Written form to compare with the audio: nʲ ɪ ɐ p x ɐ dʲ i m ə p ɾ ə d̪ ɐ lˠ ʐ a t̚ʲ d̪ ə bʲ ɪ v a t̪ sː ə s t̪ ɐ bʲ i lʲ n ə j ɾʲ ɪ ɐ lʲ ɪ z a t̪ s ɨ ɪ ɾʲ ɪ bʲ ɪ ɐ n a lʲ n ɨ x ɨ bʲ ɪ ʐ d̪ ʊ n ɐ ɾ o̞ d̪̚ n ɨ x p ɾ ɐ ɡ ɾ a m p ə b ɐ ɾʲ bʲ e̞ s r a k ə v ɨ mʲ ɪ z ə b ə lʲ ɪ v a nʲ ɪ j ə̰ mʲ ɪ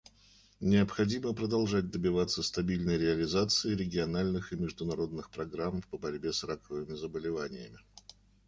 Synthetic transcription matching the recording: nʲ ɪ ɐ p x ɐ dʲ i m ə p ɾ ə d̪ ɐ lˠ ʐ a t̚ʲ d̪ ə bʲ ɪ v a t̪ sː ə s t̪ ɐ bʲ i lʲ n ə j ɾʲ ɪ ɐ lʲ ɪ z a t̪ s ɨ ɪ ɾʲ ɪ ɡʲ ɪ ɐ n a lʲ n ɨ x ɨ mʲ ɪ ʐ d̪ ʊ n ɐ ɾ o̞ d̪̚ n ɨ x p ɾ ɐ ɡ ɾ a m p ə b ɐ ɾʲ bʲ e̞ s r a k ə v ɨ mʲ ɪ z ə b ə lʲ ɪ v a nʲ ɪ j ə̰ mʲ ɪ